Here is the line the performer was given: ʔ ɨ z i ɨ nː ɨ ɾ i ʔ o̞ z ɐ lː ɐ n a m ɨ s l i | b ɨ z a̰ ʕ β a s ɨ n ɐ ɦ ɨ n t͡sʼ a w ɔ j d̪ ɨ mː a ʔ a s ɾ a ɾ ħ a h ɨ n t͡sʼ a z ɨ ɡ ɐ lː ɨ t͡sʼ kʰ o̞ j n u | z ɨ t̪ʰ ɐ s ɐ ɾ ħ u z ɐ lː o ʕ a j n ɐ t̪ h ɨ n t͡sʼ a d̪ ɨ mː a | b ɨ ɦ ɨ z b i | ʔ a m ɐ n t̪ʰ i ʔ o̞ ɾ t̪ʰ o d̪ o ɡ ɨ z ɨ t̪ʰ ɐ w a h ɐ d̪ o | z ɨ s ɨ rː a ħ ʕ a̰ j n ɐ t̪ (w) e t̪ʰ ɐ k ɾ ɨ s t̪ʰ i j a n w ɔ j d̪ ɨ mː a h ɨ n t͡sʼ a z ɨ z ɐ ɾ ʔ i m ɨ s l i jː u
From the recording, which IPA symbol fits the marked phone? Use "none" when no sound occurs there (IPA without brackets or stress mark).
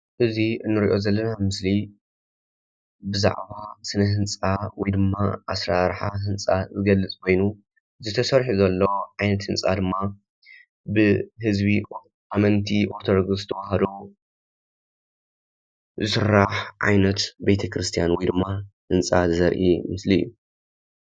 b